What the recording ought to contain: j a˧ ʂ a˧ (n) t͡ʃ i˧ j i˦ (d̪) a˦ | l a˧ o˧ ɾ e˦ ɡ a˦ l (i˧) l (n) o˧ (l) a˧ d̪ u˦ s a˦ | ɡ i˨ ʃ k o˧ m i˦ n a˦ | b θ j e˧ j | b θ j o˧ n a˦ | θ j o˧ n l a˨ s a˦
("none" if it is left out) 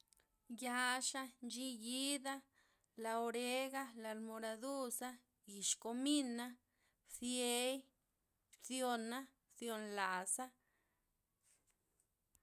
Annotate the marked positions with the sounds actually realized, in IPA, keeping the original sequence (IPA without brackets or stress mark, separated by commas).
n, d̪, a˧, m, ɾ